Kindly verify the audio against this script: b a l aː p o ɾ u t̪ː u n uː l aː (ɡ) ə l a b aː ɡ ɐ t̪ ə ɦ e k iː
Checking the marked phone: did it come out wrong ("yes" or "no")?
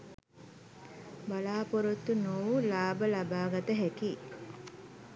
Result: yes